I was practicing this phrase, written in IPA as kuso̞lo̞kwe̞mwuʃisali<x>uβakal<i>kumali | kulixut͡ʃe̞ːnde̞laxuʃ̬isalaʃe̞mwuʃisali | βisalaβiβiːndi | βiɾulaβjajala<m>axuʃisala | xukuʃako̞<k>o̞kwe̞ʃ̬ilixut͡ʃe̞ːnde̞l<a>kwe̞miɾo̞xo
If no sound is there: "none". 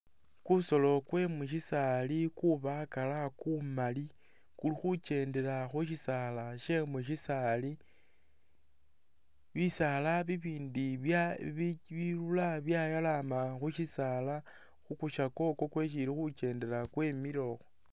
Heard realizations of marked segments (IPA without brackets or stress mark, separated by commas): k, a, m, k, a